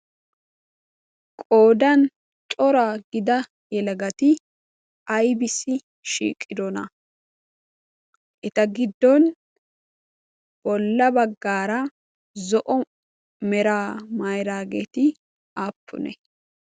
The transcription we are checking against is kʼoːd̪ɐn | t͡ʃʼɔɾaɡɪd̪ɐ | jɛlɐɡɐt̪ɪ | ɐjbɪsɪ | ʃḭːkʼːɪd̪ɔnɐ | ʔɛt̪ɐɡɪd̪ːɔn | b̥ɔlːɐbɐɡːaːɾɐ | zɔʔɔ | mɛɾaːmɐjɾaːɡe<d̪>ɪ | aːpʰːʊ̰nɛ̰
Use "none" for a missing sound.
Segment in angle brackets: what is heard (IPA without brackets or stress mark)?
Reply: t̪